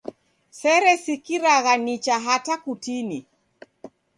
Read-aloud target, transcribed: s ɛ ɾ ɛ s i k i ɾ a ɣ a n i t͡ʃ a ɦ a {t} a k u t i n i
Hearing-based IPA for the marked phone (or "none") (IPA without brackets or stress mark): t